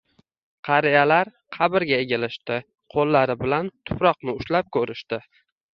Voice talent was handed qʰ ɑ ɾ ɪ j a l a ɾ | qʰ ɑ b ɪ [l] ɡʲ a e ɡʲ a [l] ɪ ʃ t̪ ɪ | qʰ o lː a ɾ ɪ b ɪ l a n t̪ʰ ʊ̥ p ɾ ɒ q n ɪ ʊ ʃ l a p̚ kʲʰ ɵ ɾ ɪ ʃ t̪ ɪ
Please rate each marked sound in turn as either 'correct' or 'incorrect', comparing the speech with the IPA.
incorrect, correct

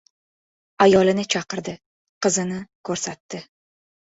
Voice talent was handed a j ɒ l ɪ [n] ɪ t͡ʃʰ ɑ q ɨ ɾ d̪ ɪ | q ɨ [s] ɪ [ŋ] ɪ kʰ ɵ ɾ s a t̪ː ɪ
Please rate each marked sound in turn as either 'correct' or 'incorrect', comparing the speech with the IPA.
correct, incorrect, incorrect

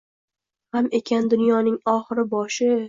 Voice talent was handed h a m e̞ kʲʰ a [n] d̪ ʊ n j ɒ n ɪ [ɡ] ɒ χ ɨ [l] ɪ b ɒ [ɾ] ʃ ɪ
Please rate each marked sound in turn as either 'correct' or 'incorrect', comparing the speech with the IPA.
correct, incorrect, incorrect, incorrect

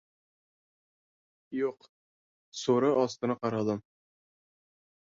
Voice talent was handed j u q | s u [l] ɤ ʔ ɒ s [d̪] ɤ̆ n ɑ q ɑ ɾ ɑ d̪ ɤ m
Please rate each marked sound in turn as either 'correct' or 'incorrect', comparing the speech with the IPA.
incorrect, incorrect

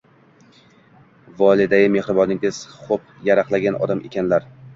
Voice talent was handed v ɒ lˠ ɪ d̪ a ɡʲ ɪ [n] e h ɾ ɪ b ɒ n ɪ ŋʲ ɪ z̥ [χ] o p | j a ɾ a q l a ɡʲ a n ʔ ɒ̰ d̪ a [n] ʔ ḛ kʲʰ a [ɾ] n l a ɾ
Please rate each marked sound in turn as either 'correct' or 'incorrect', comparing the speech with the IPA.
incorrect, correct, incorrect, incorrect

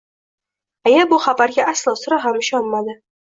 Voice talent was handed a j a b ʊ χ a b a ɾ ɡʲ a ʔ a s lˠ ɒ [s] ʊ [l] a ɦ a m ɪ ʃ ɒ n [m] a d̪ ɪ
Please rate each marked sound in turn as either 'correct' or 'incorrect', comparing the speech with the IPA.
correct, incorrect, correct

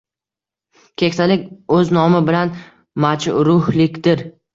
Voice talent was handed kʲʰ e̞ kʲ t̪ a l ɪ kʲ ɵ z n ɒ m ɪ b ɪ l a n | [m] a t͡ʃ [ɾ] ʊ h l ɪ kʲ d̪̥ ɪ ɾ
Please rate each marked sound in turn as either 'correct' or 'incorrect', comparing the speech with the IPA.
correct, correct

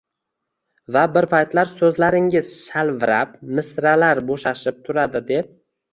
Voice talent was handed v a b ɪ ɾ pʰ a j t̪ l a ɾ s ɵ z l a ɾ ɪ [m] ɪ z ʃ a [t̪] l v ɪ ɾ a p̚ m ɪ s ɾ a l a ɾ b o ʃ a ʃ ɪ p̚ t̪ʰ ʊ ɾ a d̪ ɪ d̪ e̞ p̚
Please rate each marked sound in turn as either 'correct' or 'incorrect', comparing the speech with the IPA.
incorrect, incorrect

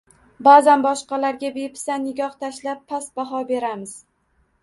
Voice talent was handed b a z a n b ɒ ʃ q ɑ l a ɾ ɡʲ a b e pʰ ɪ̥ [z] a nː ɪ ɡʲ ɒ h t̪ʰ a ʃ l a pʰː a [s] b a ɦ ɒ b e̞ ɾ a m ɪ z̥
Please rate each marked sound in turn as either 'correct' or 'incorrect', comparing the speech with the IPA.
incorrect, correct

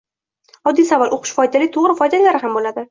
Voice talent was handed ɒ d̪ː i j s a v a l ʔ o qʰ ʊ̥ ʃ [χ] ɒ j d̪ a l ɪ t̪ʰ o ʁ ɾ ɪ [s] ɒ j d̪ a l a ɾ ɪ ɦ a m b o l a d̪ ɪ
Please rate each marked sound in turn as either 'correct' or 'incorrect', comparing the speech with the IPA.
incorrect, incorrect

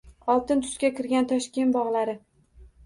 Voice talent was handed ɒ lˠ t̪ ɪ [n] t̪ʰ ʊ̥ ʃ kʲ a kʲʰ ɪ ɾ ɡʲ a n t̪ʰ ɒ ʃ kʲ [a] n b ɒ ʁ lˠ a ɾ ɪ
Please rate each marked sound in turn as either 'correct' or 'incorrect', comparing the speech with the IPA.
correct, incorrect

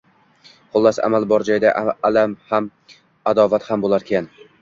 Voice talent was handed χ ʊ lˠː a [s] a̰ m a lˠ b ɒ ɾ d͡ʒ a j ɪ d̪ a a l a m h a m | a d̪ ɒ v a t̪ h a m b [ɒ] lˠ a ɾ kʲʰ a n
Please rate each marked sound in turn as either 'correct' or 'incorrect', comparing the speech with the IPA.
correct, incorrect

